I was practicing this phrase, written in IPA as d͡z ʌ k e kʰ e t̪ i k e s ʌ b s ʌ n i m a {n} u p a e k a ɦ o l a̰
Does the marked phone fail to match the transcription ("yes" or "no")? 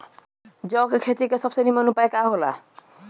no